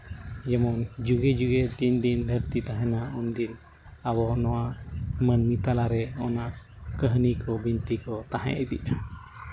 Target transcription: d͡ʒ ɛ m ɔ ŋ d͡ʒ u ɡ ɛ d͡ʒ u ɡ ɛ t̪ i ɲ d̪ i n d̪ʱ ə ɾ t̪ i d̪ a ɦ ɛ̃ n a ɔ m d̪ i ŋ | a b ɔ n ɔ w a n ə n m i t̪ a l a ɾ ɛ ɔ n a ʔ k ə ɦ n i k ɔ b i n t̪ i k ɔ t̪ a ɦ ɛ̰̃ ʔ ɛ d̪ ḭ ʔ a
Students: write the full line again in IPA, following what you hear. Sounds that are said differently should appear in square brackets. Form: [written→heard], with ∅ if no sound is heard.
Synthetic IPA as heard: d͡ʒ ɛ m ɔ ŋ d͡ʒ u ɡ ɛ d͡ʒ u ɡ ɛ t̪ i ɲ d̪ i n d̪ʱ ə ɾ t̪ i [d̪→t̪] a ɦ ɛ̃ n a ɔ [m→n] d̪ i [ŋ→n] | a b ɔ n ɔ w a [n→m] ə n m i t̪ a l a ɾ ɛ ɔ n a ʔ k ə ɦ n i k ɔ b i n t̪ i k ɔ t̪ a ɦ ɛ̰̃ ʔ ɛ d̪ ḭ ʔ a